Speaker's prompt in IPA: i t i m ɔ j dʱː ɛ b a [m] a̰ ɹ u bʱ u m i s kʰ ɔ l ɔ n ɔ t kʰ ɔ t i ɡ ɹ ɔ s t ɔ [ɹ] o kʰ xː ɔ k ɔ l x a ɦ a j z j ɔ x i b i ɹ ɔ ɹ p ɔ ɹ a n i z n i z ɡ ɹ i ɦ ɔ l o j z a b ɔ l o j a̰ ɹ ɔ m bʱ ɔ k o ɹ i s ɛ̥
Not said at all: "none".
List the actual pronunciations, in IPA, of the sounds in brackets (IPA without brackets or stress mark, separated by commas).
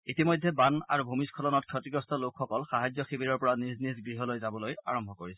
n, l